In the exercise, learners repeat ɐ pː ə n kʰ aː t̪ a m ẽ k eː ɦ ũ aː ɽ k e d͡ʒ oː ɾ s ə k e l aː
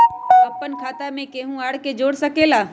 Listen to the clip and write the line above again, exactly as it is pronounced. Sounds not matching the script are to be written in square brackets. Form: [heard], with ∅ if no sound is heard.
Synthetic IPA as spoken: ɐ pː ə n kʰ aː t̪ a m ẽ k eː ɦ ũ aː ɽ k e d͡ʒ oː [ɽ] s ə k e l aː